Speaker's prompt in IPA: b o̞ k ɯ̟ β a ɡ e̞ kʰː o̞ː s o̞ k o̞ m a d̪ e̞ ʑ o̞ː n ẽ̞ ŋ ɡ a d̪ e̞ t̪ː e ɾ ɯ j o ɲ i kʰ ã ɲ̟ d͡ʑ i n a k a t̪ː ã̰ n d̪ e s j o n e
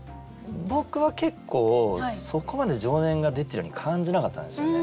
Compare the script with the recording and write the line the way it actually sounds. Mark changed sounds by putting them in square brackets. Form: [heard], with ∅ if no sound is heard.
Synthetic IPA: b o̞ k ɯ̟ β a [k] e̞ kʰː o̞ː s o̞ k o̞ m a d̪ e̞ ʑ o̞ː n ẽ̞ ŋ ɡ a d̪ e̞ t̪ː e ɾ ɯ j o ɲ i kʰ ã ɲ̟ d͡ʑ i n a k a t̪ː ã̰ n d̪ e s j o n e